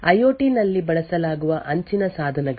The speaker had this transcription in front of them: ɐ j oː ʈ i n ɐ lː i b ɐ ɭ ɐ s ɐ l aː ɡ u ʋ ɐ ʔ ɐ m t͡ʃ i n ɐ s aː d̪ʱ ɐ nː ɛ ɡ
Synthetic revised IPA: ɐ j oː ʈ i n ɐ lː i b ɐ ɭ ɐ s ɐ l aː ɡ u ʋ ɐ ʔ ɐ ɲ t͡ʃ i n ɐ s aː d̪ʱ ɐ n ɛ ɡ

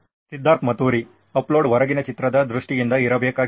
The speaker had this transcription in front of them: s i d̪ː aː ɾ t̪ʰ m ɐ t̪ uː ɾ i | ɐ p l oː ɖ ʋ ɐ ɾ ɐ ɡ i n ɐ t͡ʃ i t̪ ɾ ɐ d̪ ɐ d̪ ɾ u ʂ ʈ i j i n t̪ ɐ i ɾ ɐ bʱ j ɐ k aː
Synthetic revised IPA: s i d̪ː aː ɾ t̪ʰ m ɐ t̪ uː ɾ i | ɐ p l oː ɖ ʋ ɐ ɾ ɐ ɡ i n ɐ t͡ʃ i t̪ ɾ ɐ d̪ ɐ d̪ ɾ u ʂ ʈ i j i n d̪ ɐ i ɾ ɐ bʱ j ɐ k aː

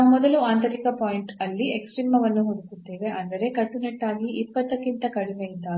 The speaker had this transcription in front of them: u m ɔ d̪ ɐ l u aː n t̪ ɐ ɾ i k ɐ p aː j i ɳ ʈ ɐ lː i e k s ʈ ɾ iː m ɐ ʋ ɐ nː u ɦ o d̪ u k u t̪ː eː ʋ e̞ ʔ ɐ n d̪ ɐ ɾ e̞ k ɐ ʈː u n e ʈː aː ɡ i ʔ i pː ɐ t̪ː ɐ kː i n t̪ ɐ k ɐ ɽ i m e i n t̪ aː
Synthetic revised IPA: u m ɔ d̪ ɐ l u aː n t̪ ɐ ɾ i k ɐ p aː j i ɳ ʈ ɐ lː i e k s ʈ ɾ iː m ɐ ʋ ɐ nː u ɦ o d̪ u k u t̪ː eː ʋ e̞ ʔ ɐ n d̪ ɐ ɾ e̞ k ɐ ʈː u n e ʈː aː ɡ i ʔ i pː ɐ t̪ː ɐ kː i n t̪ ɐ k ɐ ɽ i m e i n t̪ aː

